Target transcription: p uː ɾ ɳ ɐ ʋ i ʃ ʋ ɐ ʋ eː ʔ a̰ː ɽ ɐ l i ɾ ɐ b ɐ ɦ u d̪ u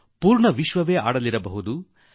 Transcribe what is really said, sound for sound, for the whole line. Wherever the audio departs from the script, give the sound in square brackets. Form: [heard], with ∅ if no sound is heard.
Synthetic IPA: p uː ɾ ɳ ɐ ʋ i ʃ ʋ ɐ ʋ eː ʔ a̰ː ɽ ɐ l i ɾ ɐ b ɐ ɦ u d̪ u